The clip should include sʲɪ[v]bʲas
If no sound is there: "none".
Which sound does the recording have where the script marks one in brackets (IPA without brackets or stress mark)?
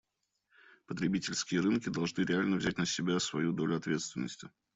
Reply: none